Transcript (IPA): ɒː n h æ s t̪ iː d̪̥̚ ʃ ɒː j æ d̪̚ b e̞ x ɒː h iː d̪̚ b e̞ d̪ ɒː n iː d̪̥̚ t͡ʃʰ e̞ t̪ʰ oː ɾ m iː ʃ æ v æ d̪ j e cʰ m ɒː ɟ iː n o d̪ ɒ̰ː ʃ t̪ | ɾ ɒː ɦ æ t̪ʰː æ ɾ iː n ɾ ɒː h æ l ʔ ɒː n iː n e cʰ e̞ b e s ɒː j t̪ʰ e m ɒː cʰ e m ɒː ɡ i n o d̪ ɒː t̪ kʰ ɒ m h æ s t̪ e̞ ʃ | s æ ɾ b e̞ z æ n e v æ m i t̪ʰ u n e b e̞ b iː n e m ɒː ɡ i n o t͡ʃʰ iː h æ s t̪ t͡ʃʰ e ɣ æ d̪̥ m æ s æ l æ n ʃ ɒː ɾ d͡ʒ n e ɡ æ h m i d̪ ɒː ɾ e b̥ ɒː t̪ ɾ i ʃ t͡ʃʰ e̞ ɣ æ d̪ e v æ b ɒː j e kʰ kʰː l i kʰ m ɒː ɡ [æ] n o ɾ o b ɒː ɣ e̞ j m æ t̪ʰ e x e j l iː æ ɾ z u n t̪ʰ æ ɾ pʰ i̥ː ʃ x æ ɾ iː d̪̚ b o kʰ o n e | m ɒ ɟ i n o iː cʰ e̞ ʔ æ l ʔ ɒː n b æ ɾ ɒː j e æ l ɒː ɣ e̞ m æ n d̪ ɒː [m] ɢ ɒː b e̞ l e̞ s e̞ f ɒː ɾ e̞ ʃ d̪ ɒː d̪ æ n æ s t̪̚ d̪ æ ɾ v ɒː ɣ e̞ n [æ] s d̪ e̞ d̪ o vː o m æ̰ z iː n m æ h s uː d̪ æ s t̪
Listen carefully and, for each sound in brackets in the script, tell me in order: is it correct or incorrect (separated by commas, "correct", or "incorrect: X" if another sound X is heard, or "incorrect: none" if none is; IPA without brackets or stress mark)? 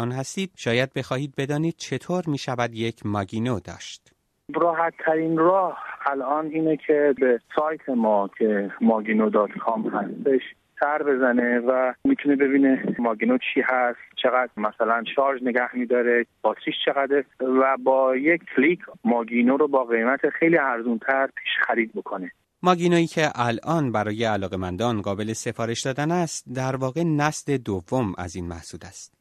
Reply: incorrect: i, incorrect: n, correct